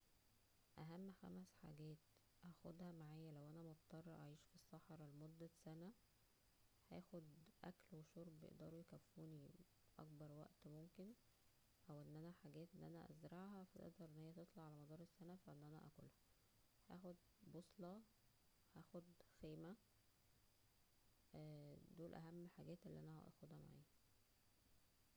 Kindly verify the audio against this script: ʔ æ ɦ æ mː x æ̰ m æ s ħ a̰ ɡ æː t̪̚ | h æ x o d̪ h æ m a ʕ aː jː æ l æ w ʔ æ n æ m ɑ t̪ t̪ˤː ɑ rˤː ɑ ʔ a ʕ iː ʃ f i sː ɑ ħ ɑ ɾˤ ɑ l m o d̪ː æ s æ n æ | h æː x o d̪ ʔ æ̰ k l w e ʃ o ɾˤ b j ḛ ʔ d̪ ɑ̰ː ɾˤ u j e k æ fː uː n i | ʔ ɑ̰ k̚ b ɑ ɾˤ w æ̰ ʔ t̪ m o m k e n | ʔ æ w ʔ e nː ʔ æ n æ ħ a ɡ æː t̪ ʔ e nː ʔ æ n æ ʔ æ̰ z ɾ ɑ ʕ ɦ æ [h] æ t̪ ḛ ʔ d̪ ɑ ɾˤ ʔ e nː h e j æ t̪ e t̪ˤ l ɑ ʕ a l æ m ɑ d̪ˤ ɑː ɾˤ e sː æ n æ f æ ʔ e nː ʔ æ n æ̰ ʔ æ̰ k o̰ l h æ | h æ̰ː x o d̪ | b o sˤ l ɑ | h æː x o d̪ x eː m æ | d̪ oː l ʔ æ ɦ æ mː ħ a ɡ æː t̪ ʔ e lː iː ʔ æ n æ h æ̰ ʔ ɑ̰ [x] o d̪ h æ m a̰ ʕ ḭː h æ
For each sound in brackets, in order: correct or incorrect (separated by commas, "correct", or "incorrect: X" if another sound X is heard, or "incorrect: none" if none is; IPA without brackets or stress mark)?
incorrect: f, correct